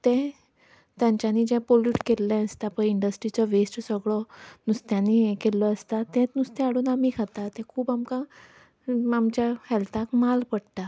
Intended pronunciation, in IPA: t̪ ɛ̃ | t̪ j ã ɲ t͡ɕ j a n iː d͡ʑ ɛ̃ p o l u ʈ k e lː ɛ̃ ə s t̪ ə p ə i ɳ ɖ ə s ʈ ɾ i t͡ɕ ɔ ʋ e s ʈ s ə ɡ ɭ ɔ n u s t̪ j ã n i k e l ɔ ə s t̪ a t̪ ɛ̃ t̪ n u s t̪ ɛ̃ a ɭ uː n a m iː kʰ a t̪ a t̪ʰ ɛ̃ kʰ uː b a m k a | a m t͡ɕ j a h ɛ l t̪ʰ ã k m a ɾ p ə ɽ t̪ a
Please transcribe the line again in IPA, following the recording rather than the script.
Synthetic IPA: t̪ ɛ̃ | t̪ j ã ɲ t͡ɕ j a n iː d͡ʑ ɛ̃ p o l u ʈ k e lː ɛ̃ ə s t̪ a p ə i ɳ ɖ ə s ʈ ɾ i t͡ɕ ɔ ʋ e s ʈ s ə ɡ ɭ ɔ n u s t̪ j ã n i k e l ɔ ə s t̪ a t̪ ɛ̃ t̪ n u s t̪ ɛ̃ a ɽ uː n a m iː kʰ a t̪ a t̪ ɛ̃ kʰ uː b a m k a | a m t͡ɕ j a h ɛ l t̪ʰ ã k m a l p ə ɽ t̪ a

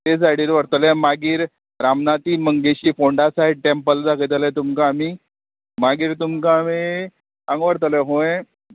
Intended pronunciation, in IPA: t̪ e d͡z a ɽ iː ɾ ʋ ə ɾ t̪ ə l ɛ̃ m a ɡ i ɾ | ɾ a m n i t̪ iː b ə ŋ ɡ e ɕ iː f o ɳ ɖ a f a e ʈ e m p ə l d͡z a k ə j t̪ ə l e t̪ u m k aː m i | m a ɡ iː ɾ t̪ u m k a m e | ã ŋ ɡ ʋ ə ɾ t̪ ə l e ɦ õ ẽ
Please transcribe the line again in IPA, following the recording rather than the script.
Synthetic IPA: t̪ e d͡z a ɽ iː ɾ ʋ ə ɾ t̪ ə l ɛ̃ m a ɡ iː ɾ | ɾ a m n a t̪ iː m ə ŋ ɡ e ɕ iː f o ɳ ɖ a s a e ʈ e m p ə l d͡z a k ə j t̪ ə l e t̪ u m k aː m i | m a ɡ iː ɾ t̪ u m k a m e | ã ŋ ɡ ʋ ə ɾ t̪ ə l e ɦ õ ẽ

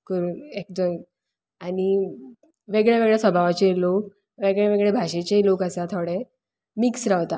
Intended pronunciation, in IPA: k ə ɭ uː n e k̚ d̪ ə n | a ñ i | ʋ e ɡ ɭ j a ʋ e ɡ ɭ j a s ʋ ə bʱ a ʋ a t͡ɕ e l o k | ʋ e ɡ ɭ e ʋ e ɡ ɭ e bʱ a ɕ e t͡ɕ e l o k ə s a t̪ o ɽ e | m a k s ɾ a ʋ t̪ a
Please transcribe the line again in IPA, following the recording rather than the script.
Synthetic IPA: k ə ɾ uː n e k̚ d̪ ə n | a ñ i | ʋ e ɡ ɭ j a ʋ e ɡ ɭ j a s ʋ ə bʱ a ʋ a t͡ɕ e l o k | ʋ e ɡ ɭ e ʋ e ɡ ɭ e bʱ a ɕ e t͡ɕ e l o k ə s a t̪ʰ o ɽ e | m i k s ɾ a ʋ t̪ a

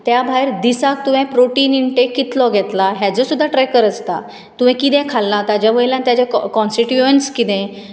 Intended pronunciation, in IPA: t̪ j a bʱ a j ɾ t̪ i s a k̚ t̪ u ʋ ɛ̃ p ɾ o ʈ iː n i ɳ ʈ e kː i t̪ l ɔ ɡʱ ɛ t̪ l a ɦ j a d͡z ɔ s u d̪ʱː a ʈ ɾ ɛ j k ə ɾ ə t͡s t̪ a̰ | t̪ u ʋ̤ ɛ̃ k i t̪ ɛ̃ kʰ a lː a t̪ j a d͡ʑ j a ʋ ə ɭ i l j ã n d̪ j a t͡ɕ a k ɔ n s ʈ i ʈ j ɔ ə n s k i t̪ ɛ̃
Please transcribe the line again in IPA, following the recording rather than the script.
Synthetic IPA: t̪ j a bʱ a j ɾ d̪ i s a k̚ t̪ u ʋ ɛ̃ p ɾ o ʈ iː n i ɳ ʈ e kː i t̪ l ɔ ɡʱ ɛ t̪ l a ɦ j a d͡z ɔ s u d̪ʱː a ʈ ɾ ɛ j k ə ɾ ə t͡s t̪ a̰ | t̪ u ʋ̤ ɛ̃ k i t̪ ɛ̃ kʰ a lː a t̪ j a d͡ʑ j a ʋ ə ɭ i l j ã n t̪ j a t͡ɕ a k ɔ n s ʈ i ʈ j u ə n s k i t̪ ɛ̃

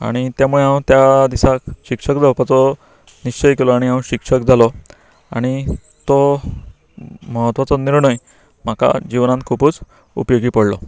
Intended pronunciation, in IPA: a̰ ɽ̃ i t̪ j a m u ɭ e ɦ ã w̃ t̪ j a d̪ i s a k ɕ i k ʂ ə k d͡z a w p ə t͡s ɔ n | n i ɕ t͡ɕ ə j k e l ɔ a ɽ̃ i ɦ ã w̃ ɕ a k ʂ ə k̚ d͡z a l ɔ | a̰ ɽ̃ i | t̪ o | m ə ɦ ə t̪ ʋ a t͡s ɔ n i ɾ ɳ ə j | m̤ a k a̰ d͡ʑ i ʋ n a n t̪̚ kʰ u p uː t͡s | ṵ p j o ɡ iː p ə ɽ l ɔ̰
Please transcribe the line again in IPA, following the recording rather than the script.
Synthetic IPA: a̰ ɽ̃ i t̪ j a m u ɭ e ɦ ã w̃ t̪ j a d̪ i s a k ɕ i k ʂ ə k d͡z a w p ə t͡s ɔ | n i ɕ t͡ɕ ə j k e l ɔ a ɽ̃ i ɦ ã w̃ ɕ i k ʂ ə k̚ d͡z a l ɔ | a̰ ɽ̃ i | t̪ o | m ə ɦ ə t̪ ʋ a t͡s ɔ n i ɾ ɳ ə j | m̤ a k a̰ d͡ʑ i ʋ n a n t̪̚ kʰ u p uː t͡s | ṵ p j o ɡ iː p ə ɽ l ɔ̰

